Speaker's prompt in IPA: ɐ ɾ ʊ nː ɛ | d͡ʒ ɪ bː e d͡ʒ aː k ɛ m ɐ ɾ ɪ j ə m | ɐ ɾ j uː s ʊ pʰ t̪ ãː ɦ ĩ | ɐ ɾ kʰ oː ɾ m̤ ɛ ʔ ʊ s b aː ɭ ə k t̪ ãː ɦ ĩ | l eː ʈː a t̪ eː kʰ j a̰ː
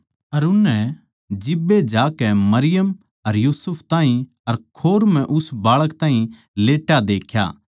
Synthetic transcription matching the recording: ɐ ɾ ʊ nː ɛ | d͡ʒ ɪ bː e d͡ʒ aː k ɛ m ɐ ɾ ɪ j ə m | ɐ ɾ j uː s ʊ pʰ t̪ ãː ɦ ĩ | ɐ ɾ kʰ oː ɾ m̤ ɛ̃ ʔ ʊ s b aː ɭ ə k t̪ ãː ɦ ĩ | l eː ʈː a d̪ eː kʰ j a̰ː

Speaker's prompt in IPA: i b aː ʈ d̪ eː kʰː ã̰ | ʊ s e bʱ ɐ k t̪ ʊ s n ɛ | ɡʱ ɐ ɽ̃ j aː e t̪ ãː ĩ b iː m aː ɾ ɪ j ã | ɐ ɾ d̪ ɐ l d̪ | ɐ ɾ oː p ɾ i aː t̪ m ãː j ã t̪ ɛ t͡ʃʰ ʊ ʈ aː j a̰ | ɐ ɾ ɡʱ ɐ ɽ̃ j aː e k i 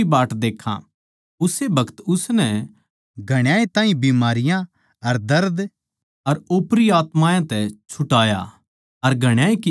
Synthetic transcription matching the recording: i b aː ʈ d̪ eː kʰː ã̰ | ʊ s e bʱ ɐ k t̪ ʊ s n ɛ | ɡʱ ɐ ɽ̃ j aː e t̪ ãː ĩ b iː m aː ɾ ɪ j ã | ɐ ɾ d̪ ɐ ɾ d̪ | ɐ ɾ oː p ɾ i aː t̪ m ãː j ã t̪ ɛ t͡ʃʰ ʊ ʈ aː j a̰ | ɐ ɾ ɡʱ ɐ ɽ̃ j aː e k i

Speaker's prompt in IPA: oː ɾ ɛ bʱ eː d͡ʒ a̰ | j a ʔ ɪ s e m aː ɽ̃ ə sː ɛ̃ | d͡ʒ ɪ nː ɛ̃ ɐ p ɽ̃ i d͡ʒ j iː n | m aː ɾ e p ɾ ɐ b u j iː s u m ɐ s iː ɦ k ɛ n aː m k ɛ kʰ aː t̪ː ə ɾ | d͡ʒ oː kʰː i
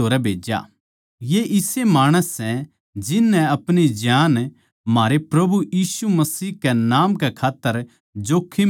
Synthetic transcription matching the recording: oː ɾ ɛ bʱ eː d͡ʒ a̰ | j e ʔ ɪ s e m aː ɽ̃ ə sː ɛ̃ | d͡ʒ ɪ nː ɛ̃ ɐ p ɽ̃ i d͡ʒ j aː n | m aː ɾ e p ɾ ɐ b u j iː s u m ɐ s iː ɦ k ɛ n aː m k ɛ kʰ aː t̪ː ə ɾ | d͡ʒ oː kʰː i

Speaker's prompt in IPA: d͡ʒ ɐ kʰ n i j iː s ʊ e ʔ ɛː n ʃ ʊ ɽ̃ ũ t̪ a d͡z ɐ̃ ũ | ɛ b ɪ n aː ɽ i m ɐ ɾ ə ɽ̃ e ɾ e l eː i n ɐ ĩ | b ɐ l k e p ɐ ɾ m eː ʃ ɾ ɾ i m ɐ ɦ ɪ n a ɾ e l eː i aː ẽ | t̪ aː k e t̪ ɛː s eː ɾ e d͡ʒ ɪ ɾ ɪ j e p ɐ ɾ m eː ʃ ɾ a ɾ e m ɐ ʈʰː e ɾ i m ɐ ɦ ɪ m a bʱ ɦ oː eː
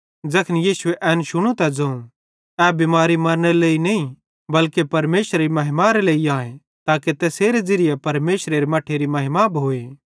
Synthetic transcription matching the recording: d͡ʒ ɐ kʰ n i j iː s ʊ e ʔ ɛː n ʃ ʊ ɽ̃ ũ t̪ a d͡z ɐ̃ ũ | ɛ b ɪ m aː ɾ i m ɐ ɾ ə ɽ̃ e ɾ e l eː i n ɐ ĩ | b ɐ l k e p ɐ ɾ m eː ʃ ɾ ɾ i m ɐ ɦ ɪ m a ɾ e l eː i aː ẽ | t̪ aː k e t̪ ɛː s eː ɾ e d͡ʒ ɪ ɾ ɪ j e p ɐ ɾ m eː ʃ ɾ e ɾ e m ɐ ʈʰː e ɾ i m ɐ ɦ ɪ m a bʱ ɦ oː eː

